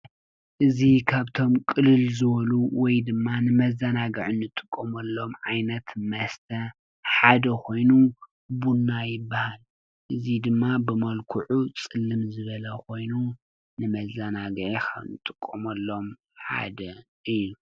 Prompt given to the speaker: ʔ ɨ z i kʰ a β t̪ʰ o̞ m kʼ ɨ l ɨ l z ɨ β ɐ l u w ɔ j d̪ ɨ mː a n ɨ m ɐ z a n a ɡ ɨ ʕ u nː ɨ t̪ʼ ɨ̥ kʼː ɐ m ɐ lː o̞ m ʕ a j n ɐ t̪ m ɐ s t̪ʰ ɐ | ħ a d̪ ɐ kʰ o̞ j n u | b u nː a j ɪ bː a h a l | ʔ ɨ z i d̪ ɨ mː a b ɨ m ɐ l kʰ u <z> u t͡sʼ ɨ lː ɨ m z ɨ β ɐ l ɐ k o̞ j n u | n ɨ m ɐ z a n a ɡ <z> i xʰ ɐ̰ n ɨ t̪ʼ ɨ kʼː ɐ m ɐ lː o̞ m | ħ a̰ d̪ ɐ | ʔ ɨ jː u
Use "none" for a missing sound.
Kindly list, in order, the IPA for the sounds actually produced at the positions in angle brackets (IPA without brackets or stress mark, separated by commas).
ʕ, ʕ